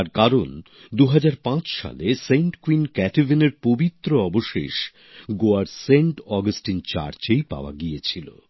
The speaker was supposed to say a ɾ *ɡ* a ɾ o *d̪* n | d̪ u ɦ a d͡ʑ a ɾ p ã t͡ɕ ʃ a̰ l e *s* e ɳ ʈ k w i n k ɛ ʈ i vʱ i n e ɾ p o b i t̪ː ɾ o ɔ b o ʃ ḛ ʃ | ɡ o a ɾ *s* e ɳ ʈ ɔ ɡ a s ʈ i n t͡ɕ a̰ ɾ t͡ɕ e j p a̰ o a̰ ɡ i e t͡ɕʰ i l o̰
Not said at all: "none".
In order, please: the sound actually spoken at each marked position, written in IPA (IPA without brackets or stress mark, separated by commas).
k, none, s, s